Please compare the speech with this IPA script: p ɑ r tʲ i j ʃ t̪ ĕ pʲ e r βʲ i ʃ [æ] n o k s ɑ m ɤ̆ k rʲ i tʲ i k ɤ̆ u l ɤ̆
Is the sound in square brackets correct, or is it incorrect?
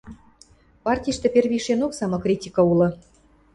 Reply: incorrect